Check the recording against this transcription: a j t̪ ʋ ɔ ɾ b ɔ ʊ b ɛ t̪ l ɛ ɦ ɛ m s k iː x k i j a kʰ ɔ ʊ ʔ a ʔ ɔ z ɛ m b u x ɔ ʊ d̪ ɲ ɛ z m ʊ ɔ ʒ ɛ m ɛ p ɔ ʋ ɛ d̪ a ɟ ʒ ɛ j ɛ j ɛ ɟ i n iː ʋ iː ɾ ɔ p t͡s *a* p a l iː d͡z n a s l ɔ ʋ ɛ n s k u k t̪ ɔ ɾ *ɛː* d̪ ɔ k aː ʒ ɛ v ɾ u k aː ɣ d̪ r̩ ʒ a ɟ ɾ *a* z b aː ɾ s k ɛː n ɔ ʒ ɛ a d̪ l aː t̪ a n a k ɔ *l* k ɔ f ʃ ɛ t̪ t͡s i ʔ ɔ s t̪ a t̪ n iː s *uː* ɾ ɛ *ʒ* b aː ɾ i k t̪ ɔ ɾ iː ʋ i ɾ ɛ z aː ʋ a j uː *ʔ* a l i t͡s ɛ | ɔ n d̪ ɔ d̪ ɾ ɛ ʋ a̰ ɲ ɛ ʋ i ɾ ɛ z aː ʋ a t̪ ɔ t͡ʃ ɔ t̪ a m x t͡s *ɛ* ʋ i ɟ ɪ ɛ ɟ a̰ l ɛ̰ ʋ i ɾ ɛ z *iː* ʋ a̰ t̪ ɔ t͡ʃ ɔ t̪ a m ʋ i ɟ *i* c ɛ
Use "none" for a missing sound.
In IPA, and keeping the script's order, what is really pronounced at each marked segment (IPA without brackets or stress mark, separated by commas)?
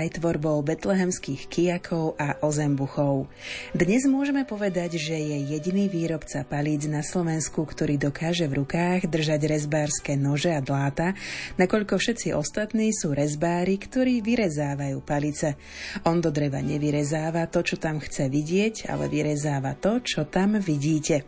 a, iː, ɛ, ʎ, uː, z, p, ɛ, aː, iː